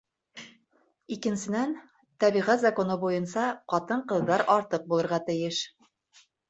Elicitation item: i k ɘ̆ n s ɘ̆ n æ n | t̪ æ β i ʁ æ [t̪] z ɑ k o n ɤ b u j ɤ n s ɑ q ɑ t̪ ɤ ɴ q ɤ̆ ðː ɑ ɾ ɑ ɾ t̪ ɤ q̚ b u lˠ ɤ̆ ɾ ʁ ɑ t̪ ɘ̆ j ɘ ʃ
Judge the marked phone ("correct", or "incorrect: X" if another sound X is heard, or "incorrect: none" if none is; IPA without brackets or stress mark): correct